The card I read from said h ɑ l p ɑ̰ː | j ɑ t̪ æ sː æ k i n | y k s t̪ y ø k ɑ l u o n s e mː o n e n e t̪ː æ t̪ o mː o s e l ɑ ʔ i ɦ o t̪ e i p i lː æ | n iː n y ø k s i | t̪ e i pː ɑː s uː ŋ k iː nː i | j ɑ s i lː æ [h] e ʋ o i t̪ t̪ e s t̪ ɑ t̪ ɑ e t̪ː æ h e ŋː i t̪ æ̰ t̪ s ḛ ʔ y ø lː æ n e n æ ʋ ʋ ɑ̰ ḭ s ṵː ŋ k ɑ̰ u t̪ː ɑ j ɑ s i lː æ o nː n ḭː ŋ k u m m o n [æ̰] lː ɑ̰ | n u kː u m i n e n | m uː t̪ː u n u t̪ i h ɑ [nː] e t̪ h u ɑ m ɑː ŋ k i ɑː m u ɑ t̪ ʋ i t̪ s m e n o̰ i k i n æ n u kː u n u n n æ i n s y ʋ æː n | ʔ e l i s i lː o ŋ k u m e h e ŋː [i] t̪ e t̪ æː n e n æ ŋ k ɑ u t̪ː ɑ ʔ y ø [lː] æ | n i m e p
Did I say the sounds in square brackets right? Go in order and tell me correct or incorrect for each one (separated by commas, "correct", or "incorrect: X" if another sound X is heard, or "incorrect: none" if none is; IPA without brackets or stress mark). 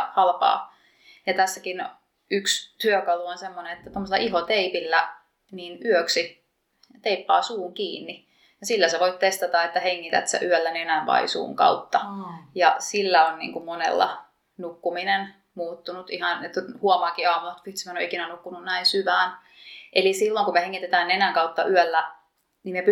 incorrect: s, incorrect: ḛ, incorrect: n, correct, correct